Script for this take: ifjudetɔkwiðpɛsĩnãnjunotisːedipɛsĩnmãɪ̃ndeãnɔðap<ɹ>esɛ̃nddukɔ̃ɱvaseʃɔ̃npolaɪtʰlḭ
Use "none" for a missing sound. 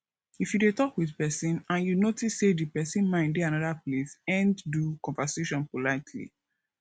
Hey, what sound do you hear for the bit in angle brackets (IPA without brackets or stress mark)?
l